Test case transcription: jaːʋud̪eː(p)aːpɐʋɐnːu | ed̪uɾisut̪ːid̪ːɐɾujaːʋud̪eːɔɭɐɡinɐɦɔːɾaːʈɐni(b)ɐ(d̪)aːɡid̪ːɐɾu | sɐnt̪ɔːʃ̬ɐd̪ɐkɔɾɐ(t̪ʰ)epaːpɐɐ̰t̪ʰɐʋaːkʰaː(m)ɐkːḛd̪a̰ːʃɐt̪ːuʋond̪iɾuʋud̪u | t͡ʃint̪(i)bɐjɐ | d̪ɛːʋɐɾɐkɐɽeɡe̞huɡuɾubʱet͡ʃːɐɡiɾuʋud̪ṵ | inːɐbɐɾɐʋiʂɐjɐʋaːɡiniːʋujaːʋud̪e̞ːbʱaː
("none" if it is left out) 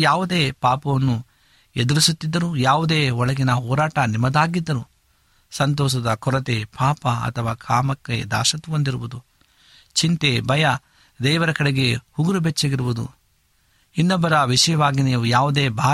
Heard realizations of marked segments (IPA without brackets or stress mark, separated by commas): p, m, d̪, t̪, m, e